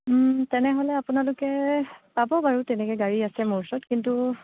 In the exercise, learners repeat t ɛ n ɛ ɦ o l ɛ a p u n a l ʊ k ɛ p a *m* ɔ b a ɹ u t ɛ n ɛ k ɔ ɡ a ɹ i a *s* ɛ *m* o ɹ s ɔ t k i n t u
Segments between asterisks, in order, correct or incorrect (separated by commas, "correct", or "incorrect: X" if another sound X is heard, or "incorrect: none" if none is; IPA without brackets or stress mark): incorrect: b, correct, correct